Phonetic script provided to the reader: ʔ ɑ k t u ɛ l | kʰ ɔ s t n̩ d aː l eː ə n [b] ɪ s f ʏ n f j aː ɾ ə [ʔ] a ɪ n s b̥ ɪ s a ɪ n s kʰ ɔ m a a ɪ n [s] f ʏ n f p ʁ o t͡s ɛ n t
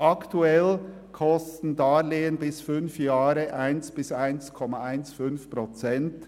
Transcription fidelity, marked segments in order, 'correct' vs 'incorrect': correct, correct, correct

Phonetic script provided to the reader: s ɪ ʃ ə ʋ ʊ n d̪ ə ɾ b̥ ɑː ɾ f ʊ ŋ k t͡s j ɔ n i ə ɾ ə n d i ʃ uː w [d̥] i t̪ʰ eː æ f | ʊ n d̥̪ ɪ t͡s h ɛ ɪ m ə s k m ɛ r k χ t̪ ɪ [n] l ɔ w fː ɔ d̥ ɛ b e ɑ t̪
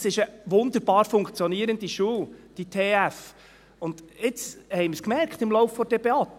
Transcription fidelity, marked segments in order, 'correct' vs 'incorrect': correct, incorrect: m

